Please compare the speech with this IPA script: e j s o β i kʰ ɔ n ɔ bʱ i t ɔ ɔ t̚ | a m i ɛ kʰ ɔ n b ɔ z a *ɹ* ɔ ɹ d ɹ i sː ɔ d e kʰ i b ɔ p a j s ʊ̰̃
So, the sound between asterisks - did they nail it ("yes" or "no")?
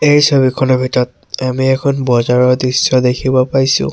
yes